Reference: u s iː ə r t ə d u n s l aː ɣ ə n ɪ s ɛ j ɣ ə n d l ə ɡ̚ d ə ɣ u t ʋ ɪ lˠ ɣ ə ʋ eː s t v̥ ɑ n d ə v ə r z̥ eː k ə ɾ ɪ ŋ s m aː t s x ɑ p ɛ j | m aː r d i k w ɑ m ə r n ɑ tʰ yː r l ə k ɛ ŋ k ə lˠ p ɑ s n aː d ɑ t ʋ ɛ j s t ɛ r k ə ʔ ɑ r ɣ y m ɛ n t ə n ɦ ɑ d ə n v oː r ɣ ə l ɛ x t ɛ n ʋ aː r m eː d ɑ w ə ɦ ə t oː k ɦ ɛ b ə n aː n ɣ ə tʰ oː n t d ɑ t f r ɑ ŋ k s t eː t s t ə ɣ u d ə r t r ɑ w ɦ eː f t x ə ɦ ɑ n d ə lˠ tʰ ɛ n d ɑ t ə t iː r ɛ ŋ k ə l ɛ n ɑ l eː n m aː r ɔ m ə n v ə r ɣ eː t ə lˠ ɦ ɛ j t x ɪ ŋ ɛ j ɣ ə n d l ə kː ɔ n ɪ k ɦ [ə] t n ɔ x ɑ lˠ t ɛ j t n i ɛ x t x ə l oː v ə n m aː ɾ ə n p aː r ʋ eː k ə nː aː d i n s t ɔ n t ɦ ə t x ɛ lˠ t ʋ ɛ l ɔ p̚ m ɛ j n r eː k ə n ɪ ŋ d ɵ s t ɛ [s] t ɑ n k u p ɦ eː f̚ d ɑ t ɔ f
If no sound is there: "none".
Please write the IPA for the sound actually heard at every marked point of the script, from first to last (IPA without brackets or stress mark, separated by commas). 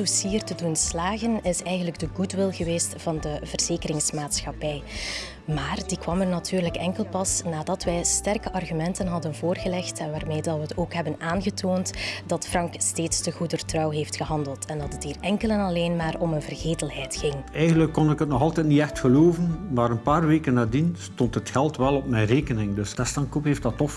ə, s